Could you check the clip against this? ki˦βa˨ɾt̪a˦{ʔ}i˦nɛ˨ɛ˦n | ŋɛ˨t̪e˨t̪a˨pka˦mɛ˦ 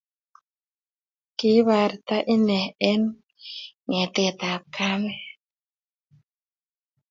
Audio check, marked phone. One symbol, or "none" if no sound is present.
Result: ʔ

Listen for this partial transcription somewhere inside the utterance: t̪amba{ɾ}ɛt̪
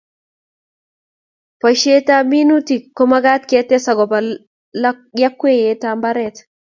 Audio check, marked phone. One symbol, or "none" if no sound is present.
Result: ɾ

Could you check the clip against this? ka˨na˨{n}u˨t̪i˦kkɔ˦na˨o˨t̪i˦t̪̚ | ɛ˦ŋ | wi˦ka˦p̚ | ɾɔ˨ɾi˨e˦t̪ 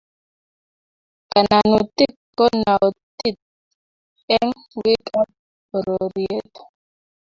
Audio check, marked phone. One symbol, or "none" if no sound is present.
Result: n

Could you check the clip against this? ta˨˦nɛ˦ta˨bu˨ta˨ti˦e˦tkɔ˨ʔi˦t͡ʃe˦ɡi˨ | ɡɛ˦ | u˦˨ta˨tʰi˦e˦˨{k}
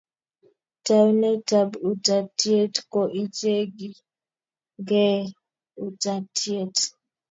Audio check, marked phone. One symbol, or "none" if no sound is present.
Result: t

